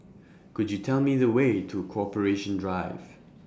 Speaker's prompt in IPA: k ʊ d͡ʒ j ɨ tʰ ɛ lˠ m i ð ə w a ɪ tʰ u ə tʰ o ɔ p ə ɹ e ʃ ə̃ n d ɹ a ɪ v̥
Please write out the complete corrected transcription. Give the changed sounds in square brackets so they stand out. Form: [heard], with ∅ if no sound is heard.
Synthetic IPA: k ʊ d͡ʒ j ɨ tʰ ɛ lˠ m i ð ə w [e] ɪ tʰ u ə [kʰ] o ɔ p ə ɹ e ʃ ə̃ n d ɹ a ɪ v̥